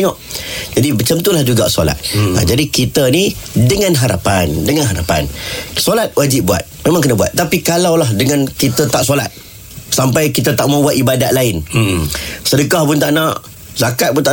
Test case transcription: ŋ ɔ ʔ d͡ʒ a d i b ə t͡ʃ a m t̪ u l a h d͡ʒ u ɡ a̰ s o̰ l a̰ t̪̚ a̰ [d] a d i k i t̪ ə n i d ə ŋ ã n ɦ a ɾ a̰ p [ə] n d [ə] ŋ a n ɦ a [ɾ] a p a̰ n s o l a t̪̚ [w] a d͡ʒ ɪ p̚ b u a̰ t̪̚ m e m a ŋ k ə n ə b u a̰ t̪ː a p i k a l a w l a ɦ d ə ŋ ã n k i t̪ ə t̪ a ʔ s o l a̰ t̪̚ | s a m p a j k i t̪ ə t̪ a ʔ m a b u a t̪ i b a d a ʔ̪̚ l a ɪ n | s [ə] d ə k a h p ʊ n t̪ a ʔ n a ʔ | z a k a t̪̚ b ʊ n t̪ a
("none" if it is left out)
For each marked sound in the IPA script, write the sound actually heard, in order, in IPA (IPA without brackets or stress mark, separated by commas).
d͡ʒ, a, ə, ɾ, w, ə